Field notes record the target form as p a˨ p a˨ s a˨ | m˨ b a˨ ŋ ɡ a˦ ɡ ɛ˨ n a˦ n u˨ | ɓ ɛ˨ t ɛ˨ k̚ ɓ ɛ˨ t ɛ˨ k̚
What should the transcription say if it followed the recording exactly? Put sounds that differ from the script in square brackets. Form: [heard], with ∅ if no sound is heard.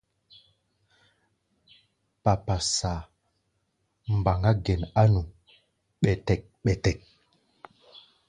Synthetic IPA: p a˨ p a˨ s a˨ | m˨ b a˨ ŋ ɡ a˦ ɡ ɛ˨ n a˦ n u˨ | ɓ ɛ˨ t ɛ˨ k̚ ɓ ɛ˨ t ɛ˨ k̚